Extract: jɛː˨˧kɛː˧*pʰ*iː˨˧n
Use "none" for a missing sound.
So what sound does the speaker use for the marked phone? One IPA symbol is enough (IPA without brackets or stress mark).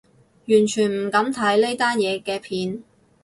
pʰ